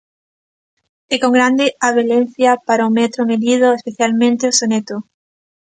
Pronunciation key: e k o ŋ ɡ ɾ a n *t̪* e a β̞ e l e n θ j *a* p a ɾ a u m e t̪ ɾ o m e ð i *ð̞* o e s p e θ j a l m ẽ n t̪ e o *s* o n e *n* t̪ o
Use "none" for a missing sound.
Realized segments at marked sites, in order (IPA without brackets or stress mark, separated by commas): d̪, a, ð̞, s, none